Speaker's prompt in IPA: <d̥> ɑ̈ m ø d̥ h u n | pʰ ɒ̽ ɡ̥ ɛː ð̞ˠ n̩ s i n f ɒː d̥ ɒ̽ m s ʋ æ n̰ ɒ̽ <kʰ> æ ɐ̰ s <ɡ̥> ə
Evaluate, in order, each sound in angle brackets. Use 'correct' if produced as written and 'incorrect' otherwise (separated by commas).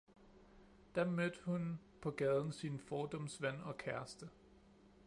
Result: correct, correct, incorrect